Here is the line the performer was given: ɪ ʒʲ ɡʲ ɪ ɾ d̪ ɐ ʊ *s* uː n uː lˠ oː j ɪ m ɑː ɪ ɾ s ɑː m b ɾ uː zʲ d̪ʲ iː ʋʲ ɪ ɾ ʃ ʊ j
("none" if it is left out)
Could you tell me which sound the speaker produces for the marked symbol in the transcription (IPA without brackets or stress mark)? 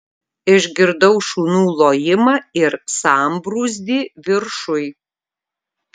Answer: ʃ